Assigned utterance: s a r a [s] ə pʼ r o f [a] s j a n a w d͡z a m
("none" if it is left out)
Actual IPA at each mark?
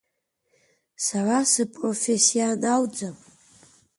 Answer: s, e

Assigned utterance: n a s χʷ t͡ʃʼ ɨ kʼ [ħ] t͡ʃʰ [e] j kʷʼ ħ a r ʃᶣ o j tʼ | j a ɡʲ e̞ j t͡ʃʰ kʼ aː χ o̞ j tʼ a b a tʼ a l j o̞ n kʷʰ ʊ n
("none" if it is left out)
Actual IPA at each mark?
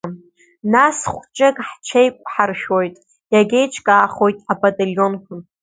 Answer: ħ, e

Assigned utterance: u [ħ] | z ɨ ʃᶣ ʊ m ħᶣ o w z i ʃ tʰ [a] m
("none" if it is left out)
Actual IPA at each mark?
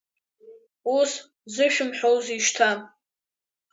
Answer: s, a

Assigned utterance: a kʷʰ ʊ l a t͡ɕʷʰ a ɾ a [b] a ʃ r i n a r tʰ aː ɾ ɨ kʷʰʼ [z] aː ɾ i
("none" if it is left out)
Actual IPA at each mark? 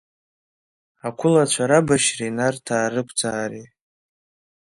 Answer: b, d͡z

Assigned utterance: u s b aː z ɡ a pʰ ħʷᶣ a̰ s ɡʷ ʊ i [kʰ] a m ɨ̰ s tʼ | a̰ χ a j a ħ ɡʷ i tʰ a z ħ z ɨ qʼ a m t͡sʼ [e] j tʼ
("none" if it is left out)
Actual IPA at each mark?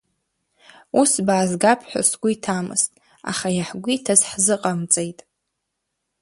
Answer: tʰ, e

